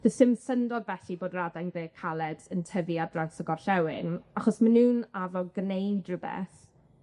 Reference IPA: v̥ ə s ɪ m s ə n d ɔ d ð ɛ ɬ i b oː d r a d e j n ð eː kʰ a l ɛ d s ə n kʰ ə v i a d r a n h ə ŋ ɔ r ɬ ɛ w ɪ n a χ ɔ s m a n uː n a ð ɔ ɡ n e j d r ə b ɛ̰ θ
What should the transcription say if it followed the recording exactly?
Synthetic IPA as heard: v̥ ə s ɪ m s ə n d ɔ d v ɛ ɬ i b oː d r a d a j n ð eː kʰ a l ɛ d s ə n tʰ ə v i a d r a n s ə ɡ ɔ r ɬ ɛ w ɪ n a χ ɔ s m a n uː n a v ɔ ɡ n e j d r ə b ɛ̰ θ